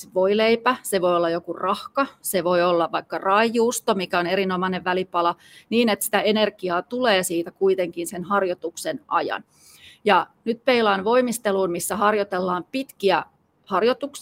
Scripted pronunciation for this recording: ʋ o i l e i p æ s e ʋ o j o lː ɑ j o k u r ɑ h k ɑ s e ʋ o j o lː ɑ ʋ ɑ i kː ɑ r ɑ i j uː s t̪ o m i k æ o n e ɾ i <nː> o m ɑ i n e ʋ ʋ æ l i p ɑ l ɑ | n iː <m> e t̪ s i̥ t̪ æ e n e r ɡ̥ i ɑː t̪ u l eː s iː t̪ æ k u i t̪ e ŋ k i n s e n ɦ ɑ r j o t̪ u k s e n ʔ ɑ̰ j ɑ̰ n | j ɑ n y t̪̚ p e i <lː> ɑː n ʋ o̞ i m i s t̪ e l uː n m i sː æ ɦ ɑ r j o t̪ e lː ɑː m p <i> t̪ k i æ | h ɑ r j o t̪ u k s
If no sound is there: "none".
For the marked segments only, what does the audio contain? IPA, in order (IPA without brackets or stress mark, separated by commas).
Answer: n, n, l, i